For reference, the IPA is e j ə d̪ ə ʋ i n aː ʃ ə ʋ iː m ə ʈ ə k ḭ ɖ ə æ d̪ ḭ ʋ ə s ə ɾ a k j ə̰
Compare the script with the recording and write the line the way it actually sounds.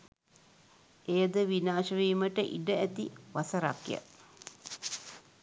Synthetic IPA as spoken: e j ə d̪ ə ʋ i n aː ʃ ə ʋ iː m ə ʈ ə ʔ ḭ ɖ ə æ t̪ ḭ ʋ a s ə ɾ a k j ə̰